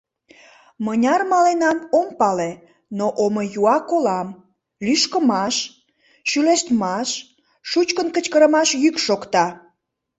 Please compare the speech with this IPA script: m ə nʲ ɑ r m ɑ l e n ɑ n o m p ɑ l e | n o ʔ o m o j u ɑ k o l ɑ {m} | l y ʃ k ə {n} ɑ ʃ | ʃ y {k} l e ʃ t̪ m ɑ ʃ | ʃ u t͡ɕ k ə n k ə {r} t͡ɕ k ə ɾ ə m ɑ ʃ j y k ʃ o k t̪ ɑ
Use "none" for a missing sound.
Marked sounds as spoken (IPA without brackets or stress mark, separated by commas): m, m, none, none